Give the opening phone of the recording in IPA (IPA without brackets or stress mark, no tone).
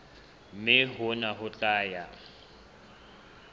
m